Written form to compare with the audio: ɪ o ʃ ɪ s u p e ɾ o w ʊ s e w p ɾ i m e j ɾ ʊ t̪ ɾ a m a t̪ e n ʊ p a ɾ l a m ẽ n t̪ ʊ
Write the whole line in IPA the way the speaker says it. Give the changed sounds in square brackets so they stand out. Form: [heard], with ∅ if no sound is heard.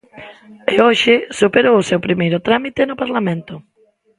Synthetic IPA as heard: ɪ o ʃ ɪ s u p e ɾ o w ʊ s e w p ɾ i m e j ɾ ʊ t̪ ɾ a m [i] t̪ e n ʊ p a ɾ l a m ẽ n t̪ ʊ